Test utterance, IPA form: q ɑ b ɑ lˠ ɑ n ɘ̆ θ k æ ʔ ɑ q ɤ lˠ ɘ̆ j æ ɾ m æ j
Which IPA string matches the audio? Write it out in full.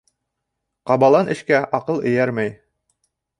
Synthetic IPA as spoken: q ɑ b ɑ lˠ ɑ n ɘ̆ ʃ k æ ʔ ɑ q ɤ lˠ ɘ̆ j æ ɾ m æ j